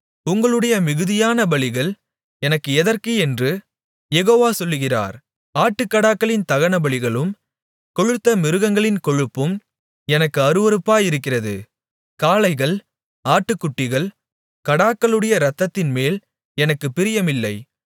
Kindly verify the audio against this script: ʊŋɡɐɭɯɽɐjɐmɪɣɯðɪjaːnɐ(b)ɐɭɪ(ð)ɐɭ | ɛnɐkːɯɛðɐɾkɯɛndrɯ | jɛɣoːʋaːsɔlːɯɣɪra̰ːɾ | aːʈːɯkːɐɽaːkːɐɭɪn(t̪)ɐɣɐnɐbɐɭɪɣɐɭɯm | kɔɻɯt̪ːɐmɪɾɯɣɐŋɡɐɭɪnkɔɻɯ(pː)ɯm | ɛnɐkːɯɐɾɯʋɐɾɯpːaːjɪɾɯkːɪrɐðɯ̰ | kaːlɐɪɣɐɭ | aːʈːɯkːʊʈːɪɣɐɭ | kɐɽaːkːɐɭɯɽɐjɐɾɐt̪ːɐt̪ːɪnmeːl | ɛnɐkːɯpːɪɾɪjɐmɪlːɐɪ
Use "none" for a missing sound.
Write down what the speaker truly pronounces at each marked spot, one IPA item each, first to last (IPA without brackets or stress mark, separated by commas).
b, ɣ, t̪, pː